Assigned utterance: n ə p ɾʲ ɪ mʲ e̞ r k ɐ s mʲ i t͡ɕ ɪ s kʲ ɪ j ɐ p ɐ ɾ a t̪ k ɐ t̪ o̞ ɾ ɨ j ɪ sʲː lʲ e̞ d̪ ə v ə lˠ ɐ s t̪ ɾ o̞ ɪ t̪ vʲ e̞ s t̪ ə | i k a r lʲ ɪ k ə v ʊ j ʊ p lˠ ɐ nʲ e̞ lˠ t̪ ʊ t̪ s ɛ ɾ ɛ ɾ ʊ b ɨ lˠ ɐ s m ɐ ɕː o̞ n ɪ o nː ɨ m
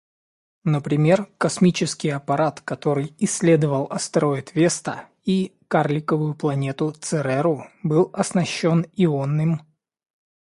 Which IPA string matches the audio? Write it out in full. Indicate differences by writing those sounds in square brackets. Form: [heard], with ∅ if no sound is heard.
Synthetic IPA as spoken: n ə p ɾʲ ɪ mʲ e̞ r k ɐ s mʲ i t͡ɕ ɪ s kʲ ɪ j ɐ p ɐ ɾ a t̪ k ɐ t̪ o̞ ɾ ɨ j ɪ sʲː lʲ e̞ d̪ ə v ə lˠ ɐ s t̪ ɾ o̞ ɪ t̪ vʲ e̞ s t̪ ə | i k a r lʲ ɪ k ə v ʊ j ʊ p lˠ ɐ nʲ e̞ [∅] t̪ ʊ t̪ s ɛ ɾ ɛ ɾ ʊ b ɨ lˠ ɐ s [n] ɐ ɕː o̞ n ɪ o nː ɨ m